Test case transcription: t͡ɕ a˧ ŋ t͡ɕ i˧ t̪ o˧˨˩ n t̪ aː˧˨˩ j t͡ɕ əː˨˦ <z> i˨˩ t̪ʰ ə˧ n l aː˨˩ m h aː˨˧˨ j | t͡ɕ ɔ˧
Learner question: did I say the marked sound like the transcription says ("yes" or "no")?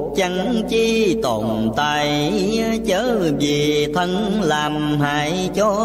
no